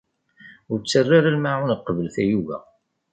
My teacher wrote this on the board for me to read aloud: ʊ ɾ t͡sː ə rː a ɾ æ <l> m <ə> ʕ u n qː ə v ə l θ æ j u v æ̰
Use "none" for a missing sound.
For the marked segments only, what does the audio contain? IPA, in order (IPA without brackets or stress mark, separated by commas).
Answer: l, a